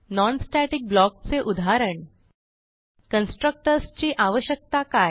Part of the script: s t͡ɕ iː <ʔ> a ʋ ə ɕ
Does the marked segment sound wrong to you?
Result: no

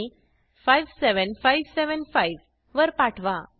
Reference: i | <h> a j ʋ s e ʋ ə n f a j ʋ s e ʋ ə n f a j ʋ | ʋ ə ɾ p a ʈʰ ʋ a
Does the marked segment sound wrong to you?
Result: yes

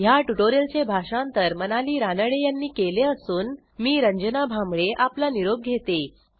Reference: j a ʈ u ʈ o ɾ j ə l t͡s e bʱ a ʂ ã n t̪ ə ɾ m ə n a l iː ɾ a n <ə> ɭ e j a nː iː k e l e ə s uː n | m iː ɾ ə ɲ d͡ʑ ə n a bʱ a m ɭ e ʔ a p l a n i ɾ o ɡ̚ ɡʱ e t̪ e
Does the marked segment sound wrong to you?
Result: no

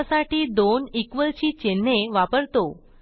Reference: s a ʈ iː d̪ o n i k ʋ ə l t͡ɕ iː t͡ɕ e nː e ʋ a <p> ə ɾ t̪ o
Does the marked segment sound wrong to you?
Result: no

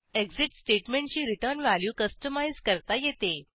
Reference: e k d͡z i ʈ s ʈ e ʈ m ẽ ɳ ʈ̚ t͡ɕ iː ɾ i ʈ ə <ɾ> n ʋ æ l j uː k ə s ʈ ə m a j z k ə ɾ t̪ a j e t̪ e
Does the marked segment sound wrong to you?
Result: no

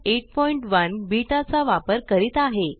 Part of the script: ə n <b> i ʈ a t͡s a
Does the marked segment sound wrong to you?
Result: no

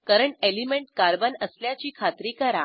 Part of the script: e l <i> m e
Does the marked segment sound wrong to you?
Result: no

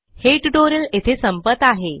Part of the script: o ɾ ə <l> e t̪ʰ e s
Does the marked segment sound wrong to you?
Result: no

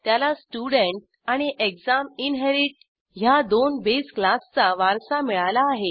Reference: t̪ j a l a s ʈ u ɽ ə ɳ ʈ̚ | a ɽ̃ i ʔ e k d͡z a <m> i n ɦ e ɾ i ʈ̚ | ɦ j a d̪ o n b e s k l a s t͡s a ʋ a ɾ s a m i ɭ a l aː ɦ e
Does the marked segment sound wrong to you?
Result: no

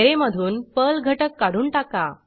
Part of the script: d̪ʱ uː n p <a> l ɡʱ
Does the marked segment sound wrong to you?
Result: yes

